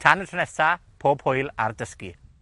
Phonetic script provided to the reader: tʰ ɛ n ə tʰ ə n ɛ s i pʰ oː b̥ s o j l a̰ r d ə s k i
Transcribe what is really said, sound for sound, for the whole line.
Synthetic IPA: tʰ a n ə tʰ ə n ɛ s a pʰ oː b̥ h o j l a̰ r d ə s k i